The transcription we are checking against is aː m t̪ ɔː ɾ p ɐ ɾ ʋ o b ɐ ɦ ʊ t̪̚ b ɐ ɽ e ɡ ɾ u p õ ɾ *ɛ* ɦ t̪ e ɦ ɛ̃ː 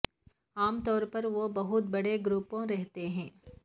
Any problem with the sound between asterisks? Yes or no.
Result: no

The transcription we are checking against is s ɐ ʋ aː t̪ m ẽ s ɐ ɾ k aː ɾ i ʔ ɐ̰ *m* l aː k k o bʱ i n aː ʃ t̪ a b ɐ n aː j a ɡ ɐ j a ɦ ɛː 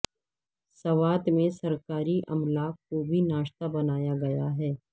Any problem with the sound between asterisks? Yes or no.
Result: no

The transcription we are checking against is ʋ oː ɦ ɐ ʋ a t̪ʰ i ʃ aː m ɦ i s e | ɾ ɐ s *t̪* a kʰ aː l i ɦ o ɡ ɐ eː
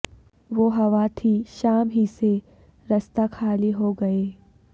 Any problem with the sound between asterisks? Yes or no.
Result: no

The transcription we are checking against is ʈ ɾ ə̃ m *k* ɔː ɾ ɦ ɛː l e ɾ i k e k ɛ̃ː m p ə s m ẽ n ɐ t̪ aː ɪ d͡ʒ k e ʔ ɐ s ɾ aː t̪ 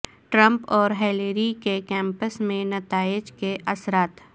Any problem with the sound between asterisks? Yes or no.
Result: yes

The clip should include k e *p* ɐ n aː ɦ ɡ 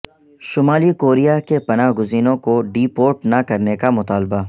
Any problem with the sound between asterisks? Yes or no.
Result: no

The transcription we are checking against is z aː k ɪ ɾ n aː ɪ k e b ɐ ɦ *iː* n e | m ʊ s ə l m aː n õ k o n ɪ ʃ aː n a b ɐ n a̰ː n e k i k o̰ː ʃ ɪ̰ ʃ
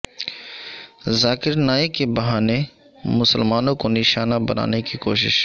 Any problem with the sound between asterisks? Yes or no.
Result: yes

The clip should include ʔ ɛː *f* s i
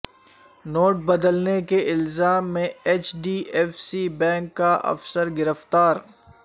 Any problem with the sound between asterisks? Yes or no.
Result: no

